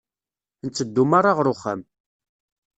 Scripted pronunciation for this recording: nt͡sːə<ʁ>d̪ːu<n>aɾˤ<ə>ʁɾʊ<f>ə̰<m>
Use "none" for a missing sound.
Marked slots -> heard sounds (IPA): none, m, a, χ, m

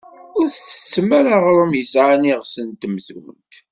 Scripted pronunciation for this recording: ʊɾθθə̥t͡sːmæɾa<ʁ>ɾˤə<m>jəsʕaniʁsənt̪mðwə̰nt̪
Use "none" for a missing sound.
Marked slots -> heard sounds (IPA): ʁ, m

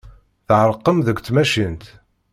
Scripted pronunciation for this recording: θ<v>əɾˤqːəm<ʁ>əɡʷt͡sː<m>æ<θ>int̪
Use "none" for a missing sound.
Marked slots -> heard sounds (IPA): ʕ, ð, m, ʃ

